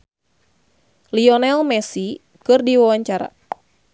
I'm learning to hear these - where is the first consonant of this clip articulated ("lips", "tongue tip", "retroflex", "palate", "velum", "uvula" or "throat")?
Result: tongue tip